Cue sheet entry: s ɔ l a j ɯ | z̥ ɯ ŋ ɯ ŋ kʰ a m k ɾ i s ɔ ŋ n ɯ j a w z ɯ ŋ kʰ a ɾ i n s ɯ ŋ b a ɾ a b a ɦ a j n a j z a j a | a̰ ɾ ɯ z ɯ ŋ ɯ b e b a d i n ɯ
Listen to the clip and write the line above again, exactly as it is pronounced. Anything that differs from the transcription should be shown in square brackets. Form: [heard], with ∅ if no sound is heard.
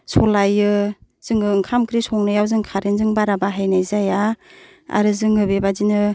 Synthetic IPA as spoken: s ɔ l a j ɯ | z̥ ɯ ŋ ɯ ŋ kʰ a m k ɾ i s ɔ ŋ n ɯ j a w z ɯ ŋ kʰ a ɾ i n [z] ɯ ŋ b a ɾ a b a ɦ a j n a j z a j a | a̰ ɾ ɯ z ɯ ŋ ɯ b e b a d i n ɯ